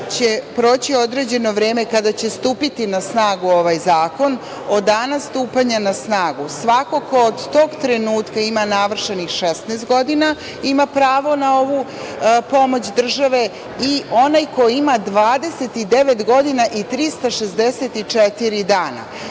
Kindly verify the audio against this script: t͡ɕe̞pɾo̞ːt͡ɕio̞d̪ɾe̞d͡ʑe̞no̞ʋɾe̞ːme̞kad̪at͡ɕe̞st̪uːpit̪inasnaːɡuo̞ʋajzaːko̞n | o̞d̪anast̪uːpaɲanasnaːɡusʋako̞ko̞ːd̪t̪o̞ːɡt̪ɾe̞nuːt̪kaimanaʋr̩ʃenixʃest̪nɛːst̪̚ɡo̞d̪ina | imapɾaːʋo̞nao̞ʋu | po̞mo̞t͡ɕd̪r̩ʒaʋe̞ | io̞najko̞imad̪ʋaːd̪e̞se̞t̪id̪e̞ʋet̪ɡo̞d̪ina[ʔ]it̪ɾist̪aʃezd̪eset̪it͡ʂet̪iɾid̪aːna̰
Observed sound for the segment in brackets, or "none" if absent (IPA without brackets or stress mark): ʔ